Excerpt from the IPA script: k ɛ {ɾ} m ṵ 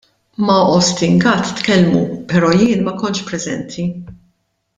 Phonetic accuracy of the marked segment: incorrect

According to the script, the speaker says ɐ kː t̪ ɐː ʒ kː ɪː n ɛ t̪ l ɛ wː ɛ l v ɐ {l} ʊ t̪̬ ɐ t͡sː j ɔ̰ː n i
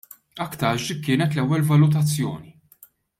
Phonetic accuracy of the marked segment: correct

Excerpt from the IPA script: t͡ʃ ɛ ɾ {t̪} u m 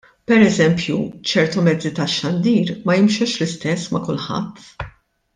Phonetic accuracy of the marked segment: correct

